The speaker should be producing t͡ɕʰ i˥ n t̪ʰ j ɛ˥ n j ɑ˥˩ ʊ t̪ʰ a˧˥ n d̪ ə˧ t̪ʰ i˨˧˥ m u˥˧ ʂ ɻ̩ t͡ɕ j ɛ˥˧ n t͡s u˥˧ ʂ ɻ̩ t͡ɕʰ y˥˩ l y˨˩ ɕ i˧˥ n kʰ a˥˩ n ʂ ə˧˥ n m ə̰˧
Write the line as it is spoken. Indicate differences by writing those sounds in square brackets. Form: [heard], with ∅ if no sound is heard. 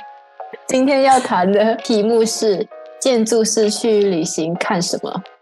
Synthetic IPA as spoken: [t͡ɕ] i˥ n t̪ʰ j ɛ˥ n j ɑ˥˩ ʊ t̪ʰ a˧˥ n d̪ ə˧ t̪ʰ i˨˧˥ m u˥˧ ʂ ɻ̩ t͡ɕ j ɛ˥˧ n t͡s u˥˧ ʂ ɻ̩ t͡ɕʰ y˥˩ l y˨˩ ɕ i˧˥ [ŋ] kʰ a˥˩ n ʂ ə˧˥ n m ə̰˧